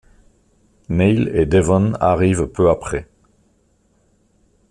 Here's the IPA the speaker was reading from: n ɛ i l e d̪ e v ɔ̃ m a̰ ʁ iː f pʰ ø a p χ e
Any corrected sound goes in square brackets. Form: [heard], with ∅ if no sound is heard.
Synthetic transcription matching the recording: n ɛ [j] l e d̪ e v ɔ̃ [n] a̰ ʁ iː [v] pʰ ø a p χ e